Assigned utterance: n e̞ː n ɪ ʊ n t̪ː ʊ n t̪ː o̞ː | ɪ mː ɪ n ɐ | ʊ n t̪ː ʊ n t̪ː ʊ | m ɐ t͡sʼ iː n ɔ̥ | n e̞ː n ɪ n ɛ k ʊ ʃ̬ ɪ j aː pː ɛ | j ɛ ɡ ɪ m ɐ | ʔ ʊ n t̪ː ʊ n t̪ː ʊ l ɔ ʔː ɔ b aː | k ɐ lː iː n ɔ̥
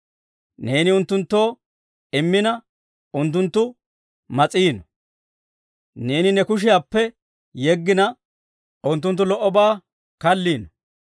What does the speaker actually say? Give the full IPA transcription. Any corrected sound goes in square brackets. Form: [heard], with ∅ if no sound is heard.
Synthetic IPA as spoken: n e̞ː n ɪ ʊ n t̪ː ʊ n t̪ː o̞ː | ɪ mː ɪ n ɐ | ʊ n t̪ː ʊ n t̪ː ʊ | m ɐ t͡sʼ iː n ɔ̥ | n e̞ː n ɪ n ɛ k ʊ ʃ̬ ɪ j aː pː ɛ | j ɛ [ɡː] ɪ [n] ɐ | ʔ ʊ n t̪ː ʊ n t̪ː ʊ l ɔ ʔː ɔ b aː | k ɐ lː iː n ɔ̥